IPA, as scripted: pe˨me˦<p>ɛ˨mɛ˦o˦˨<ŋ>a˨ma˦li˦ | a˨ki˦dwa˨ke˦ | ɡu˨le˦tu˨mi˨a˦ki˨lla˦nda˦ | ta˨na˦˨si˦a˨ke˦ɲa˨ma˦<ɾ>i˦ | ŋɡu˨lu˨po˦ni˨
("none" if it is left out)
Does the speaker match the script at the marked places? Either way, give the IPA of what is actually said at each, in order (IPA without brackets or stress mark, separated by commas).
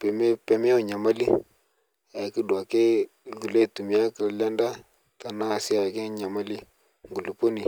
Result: p, ɲ, l